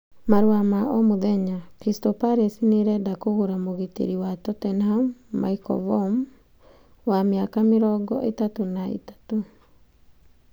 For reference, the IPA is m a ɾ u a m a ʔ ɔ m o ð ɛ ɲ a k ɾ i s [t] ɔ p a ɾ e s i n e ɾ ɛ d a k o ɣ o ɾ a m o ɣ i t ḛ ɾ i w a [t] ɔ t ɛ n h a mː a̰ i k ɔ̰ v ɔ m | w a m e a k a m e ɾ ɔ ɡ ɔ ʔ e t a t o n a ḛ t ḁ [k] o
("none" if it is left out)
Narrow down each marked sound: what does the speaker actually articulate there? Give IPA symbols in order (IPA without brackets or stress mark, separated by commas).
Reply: t, t, t